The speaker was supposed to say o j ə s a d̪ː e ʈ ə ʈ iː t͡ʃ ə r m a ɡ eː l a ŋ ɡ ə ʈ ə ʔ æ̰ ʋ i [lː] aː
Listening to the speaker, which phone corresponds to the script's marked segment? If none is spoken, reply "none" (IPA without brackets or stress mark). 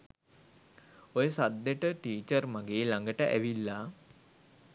lː